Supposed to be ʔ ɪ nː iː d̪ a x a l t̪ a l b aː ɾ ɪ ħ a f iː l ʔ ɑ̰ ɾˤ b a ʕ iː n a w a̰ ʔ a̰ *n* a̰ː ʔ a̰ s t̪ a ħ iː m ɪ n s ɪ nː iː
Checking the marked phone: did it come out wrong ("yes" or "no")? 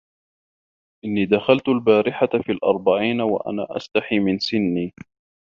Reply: no